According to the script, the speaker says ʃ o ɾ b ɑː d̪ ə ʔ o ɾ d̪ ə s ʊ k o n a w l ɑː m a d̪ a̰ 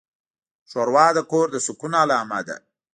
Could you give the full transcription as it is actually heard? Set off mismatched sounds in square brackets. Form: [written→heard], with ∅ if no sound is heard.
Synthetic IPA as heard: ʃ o ɾ [b→w] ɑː d̪ ə [ʔ→k] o ɾ d̪ ə s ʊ k [o→u] n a [w→∅] l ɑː m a d̪ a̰